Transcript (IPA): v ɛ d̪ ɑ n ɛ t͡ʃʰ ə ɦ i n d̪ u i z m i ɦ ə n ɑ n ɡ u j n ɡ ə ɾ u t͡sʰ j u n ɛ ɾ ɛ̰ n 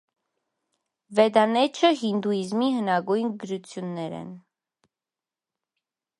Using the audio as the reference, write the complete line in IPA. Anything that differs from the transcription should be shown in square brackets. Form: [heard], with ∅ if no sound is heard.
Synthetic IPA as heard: v ɛ d̪ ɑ n ɛ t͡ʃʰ ə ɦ i n d̪ u i z m i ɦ ə n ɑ [∅] ɡ u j n ɡ ə ɾ u t͡sʰ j u [nː] ɛ ɾ ɛ̰ n